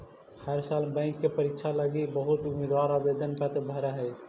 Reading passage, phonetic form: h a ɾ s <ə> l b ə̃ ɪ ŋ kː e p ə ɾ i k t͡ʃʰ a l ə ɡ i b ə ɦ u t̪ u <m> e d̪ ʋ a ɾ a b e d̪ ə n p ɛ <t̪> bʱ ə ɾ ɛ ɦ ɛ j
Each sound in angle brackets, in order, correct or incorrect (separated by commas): incorrect, correct, correct